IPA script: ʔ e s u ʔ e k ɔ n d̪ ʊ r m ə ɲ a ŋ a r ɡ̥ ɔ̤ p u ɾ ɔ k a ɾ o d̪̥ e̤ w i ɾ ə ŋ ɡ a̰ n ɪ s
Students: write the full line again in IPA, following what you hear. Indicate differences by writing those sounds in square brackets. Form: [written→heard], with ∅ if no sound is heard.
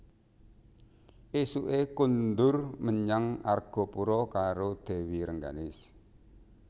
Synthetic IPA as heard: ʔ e s u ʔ e k [ɔ→u] n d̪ ʊ r m ə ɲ a ŋ a r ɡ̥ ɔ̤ p u ɾ ɔ k a ɾ o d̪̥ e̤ w i ɾ ə ŋ ɡ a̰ n ɪ s